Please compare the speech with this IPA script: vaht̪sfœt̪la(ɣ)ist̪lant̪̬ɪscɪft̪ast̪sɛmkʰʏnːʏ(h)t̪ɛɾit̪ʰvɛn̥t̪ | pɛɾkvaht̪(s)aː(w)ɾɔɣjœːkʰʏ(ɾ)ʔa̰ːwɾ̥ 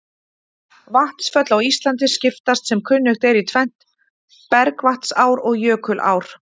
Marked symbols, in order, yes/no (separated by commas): no, no, yes, yes, no